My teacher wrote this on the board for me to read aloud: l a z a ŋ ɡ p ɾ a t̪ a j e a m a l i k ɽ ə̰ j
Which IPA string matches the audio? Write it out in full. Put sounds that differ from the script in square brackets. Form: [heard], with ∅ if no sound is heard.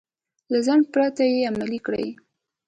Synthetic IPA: l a z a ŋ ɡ p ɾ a t̪ a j e a m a l i k ɽ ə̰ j

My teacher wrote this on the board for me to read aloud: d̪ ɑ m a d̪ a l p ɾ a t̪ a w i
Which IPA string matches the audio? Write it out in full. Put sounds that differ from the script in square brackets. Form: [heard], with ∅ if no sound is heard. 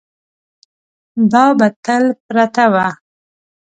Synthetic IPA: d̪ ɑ [b] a [t̪] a l p ɾ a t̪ a w [a]

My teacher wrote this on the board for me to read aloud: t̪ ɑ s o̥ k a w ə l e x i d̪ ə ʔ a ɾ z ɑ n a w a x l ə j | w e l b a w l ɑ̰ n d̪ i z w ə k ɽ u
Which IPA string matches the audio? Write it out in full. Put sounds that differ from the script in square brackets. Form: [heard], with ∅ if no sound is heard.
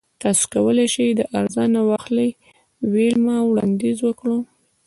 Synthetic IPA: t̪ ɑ s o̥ k a w ə l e [ʃ] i d̪ ə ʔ a ɾ z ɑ n a w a x l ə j | w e l [m] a w [ɽ] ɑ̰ n d̪ i z w ə k ɽ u

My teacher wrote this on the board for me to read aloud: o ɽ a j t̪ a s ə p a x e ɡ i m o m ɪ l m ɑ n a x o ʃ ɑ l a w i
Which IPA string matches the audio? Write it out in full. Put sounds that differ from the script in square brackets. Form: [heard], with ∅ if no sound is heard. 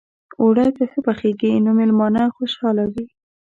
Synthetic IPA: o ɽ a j t̪ a s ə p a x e ɡ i [n] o m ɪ l m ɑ n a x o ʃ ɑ l a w i

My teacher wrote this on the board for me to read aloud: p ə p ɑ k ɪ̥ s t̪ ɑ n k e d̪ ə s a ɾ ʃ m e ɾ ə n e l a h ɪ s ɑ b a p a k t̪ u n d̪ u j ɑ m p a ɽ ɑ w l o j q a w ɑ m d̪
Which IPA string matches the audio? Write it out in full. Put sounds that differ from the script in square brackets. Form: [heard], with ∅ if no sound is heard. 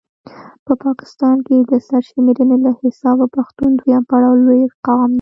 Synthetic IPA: p ə p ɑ k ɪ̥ s t̪ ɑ n k e d̪ ə s a ɾ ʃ m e ɾ ə n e l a h ɪ s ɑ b a p a [x] t̪ u n d̪ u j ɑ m p a ɽ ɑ w l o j q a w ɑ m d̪

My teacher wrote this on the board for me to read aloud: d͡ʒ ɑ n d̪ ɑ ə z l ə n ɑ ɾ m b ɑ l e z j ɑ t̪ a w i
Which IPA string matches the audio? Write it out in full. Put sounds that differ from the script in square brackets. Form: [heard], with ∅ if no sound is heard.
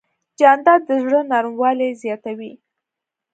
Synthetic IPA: d͡ʒ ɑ n d̪ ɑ ə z [ɽ] ə n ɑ ɾ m [w] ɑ l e z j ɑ t̪ a w i

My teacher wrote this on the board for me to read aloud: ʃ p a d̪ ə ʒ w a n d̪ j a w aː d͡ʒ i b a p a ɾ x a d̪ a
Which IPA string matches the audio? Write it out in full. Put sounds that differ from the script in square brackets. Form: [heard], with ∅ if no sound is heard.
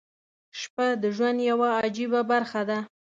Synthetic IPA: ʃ p a d̪ ə ʒ w a n d̪ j a w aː d͡ʒ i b a [b] a ɾ x a d̪ a

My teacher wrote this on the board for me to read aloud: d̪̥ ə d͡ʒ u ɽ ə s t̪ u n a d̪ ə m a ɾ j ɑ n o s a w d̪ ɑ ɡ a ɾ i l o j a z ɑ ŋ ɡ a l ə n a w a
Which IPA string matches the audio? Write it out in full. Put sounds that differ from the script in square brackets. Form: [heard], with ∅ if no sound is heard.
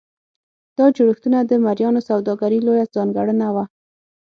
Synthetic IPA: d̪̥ [ɑ] d͡ʒ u ɽ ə [x] t̪ u n a d̪ ə m a ɾ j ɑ n o s a w d̪ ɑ ɡ a ɾ i l o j a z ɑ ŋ ɡ a [ɽ] ə n a w a

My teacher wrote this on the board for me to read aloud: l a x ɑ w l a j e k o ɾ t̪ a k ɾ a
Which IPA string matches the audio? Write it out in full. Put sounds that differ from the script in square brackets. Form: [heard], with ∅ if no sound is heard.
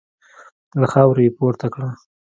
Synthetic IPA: l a x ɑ w [ɾ] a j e [p] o ɾ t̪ a k [ɽ] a

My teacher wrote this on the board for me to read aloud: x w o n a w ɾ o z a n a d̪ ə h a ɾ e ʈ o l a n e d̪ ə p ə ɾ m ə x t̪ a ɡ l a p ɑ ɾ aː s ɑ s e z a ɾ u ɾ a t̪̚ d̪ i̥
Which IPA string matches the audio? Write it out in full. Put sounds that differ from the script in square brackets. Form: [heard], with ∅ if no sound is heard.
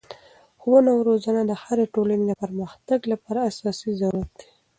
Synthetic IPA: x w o n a w ɾ o z a n a d̪ ə h a ɾ e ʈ o l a n e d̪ ə p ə ɾ m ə x t̪ a ɡ l a p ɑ ɾ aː s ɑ s [i] z a ɾ u ɾ a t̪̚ d̪ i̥

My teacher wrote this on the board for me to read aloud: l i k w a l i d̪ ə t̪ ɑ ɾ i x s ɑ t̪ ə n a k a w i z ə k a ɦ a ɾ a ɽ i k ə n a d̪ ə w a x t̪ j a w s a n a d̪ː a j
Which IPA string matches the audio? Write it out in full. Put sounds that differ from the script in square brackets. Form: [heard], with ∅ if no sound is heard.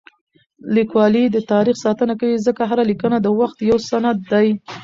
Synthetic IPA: l i k w [ɑ] l i d̪ ə t̪ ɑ ɾ i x s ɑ t̪ ə n a k a w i z ə k a ɦ a ɾ a [l] i k ə n a d̪ ə w a x t̪ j a w s a n a d̪ː a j

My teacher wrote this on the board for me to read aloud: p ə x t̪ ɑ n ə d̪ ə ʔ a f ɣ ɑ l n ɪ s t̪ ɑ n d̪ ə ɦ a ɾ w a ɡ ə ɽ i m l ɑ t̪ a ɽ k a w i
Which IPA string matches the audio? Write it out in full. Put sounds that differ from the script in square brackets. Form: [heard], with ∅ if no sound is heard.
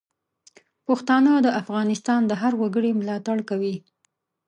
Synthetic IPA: p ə x t̪ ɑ n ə d̪ ə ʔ a f ɣ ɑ [∅] n ɪ s t̪ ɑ n d̪ ə ɦ a ɾ w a ɡ ə ɽ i m l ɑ t̪ a ɽ k a w i

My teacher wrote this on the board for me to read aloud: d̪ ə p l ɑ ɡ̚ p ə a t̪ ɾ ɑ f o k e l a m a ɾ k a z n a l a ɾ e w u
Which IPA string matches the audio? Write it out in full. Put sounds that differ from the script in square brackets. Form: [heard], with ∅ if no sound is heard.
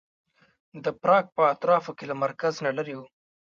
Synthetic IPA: d̪ ə p [ɾ] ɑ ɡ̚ p ə a t̪ ɾ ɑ f o k e l a m a ɾ k a z n a l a ɾ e w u

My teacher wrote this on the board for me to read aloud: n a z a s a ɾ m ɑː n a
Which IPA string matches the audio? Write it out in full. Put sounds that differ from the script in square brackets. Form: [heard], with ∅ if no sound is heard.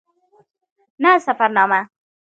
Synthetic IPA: n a [s] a [f] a ɾ [n] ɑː [m] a

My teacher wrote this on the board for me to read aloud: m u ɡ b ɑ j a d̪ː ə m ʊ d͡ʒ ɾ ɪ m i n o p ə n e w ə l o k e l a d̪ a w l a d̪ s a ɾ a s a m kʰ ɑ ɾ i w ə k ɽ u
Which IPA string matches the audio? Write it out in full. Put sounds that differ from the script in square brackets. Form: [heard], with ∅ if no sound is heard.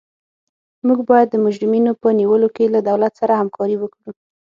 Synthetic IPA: m u ɡ b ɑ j a d̪ː ə m ʊ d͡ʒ ɾ ɪ m i n o p ə n [i] w ə l o k e l a d̪ a w l a [t̪] s a ɾ a [h] a m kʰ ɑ ɾ i w ə k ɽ u

